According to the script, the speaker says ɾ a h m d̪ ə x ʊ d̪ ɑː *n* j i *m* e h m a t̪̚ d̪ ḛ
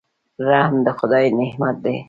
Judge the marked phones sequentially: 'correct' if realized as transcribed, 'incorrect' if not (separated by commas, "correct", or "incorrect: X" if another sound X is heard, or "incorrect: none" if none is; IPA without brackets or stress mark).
incorrect: none, incorrect: n